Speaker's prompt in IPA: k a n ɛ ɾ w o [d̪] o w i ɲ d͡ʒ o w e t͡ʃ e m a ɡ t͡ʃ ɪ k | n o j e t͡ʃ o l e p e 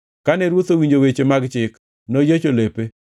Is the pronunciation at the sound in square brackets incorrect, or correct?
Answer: incorrect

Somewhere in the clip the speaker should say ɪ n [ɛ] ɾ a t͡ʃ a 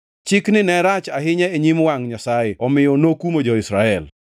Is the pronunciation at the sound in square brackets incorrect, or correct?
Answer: correct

